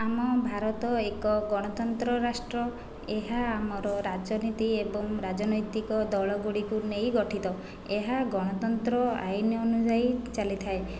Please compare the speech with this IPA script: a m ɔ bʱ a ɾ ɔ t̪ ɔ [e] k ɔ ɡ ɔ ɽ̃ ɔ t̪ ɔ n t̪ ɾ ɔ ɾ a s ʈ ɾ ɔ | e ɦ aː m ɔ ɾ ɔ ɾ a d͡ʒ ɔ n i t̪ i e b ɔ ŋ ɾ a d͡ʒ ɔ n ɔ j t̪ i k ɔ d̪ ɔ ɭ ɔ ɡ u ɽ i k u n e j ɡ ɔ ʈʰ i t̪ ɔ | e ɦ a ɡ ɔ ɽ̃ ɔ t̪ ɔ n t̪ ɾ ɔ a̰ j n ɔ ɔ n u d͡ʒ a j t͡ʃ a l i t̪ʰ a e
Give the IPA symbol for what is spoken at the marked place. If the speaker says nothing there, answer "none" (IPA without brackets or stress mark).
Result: e